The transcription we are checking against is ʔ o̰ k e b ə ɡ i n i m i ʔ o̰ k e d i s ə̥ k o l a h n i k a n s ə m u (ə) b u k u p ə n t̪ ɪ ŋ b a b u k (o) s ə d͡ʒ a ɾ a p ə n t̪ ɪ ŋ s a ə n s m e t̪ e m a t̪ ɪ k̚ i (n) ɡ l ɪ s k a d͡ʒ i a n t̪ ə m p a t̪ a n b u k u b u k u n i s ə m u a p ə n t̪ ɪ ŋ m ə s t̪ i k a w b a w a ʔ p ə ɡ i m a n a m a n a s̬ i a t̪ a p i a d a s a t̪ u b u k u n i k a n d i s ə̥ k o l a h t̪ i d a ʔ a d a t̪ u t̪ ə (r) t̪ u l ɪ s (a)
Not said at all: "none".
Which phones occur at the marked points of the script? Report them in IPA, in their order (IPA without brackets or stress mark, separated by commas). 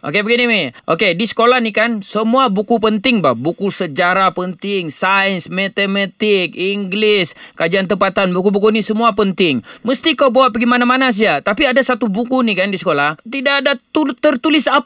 a, u, ŋ, r, a